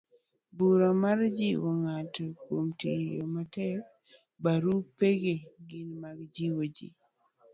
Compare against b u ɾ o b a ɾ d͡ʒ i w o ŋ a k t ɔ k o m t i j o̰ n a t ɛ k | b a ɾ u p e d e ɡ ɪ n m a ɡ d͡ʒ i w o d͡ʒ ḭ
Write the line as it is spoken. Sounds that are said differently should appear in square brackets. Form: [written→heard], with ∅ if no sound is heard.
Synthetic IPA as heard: b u ɾ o [b→m] a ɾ d͡ʒ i w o ŋ a [k→∅] t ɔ k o m t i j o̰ [n→m] a t ɛ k | b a ɾ u p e [d→ɡ] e ɡ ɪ n m a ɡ d͡ʒ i w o d͡ʒ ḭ

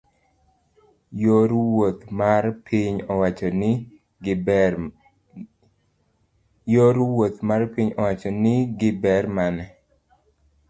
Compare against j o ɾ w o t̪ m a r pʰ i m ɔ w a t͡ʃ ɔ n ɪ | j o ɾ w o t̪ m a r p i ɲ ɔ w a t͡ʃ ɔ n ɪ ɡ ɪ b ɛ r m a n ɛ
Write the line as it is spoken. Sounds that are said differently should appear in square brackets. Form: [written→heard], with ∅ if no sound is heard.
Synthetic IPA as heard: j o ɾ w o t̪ m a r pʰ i [m→ɲ] ɔ w a t͡ʃ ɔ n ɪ | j o ɾ w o t̪ m a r p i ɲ ɔ w a t͡ʃ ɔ n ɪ ɡ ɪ b ɛ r m a n ɛ

